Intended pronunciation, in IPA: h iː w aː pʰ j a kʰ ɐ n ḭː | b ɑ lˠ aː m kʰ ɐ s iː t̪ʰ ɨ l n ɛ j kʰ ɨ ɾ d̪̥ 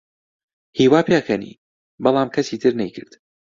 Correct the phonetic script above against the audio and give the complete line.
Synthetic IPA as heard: h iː w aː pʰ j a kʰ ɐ n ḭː | b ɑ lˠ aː m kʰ ɐ s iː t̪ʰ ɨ ɾ n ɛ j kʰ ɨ ɾ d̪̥